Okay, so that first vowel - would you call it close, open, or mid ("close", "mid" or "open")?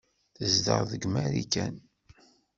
mid